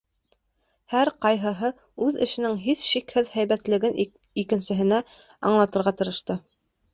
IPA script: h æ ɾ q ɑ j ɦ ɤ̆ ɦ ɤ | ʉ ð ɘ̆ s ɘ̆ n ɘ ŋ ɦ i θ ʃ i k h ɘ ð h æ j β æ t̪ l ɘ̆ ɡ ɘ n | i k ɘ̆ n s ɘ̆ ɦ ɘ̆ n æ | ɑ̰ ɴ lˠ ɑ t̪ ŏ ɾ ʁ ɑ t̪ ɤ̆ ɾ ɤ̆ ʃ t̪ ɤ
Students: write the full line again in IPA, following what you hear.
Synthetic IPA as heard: h æ ɾ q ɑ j ɦ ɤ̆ ɦ ɤ | ʉ ð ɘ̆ ʃ ɘ̆ n ɘ ŋ ɦ i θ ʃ i k h ɘ ð h æ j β æ t̪ l ɘ̆ ɡ ɘ n | i k ɘ̆ n s ɘ̆ ɦ ɘ̆ n æ | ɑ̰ ɴ lˠ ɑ t̪ ɤ̆ ɾ ʁ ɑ t̪ ɤ̆ ɾ ɤ̆ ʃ t̪ ɤ